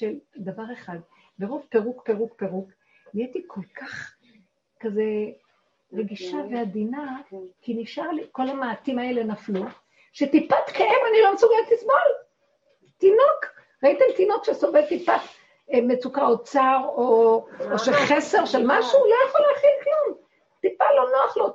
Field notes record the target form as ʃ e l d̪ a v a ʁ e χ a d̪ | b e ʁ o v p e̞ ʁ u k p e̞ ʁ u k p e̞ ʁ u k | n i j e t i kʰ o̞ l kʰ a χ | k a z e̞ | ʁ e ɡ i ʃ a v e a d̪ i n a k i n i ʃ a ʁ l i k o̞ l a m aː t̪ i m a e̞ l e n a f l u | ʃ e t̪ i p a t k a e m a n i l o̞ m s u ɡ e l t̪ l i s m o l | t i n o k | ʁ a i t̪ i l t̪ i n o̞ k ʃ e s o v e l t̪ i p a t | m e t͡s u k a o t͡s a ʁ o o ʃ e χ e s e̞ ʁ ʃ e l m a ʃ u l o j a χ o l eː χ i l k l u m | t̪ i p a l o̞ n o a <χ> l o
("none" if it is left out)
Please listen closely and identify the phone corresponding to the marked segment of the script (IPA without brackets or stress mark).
χ